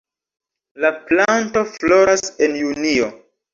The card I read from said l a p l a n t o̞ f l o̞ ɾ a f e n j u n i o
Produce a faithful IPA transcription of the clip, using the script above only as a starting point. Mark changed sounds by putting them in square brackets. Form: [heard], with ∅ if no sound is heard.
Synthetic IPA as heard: l a p l a n t o̞ f l o̞ ɾ a [s] e n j u n i o

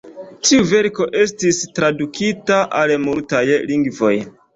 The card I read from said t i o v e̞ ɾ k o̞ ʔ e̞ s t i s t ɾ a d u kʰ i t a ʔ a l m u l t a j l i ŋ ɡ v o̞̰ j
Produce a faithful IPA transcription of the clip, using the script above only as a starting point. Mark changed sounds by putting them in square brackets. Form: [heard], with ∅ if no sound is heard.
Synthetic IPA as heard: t i [u] v e̞ ɾ k o̞ ʔ e̞ s t i s t ɾ a d u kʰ i t a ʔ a l m u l t a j l i ŋ ɡ v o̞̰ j

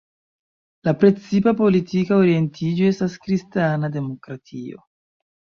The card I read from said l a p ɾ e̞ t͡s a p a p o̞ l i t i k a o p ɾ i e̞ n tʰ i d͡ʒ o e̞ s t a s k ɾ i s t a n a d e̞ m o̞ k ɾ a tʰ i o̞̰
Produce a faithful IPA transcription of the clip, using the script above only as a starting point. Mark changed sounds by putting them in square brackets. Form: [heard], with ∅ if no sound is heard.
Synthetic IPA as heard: l a p ɾ e̞ t͡s [i] p a p o̞ l i t i k a o [∅] ɾ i e̞ n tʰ i d͡ʒ o e̞ s t a s k ɾ i s t a n a d e̞ m o̞ k ɾ a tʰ i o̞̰

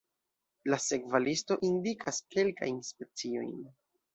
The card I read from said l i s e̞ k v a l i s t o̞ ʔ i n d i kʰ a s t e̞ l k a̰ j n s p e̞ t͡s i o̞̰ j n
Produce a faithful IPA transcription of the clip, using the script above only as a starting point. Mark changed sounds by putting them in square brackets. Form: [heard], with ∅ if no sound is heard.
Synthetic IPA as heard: l [a] s e̞ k v a l i s t o̞ ʔ i n d i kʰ a s [k] e̞ l k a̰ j n s p e̞ t͡s i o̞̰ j n

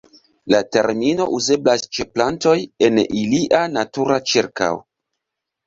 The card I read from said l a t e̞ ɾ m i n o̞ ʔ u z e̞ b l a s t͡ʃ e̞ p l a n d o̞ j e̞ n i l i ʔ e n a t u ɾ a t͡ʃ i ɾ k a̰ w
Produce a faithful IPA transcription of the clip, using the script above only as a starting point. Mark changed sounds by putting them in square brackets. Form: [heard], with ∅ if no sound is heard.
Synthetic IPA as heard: l a t e̞ ɾ m i n o̞ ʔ u z e̞ b l a s t͡ʃ e̞ p l a n [t] o̞ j e̞ n i l i ʔ [a] n a t u ɾ a t͡ʃ i ɾ k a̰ w

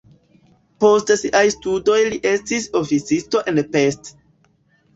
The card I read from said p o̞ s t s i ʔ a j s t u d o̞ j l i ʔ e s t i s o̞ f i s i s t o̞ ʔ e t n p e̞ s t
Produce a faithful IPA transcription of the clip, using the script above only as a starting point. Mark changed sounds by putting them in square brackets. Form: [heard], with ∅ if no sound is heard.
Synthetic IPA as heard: p o̞ s t s i ʔ a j s t u d o̞ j l i ʔ e s t i s o̞ f i [t͡s] i s t o̞ ʔ e [∅] n p e̞ s t

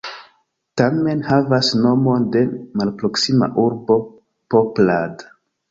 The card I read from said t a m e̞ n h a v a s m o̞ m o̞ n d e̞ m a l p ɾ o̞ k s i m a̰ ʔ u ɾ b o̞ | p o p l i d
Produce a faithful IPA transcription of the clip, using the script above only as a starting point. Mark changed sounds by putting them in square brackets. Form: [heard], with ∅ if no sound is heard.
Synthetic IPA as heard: t a m e̞ n h a v a s [n] o̞ m o̞ n d e̞ m a l p ɾ o̞ k s i m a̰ ʔ u ɾ b o̞ | p o p l [a] d

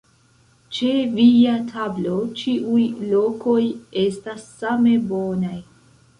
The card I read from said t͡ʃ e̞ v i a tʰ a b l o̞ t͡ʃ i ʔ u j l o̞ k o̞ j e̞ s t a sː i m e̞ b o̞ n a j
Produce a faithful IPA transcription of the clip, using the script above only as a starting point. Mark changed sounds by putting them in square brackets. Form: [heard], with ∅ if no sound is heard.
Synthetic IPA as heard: t͡ʃ e̞ v i a tʰ a b l o̞ t͡ʃ i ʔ u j l o̞ k o̞ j e̞ s t a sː [a] m e̞ b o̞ n a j

